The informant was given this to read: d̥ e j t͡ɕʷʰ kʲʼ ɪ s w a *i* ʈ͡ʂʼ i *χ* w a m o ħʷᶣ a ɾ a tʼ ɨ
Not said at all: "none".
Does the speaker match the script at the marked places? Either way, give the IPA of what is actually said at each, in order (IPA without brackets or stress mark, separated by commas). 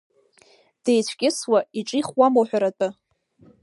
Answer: i, χ